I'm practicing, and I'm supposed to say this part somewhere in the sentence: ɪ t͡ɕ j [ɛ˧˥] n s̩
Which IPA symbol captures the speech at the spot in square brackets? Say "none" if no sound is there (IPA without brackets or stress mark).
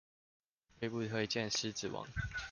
ɛ˥˨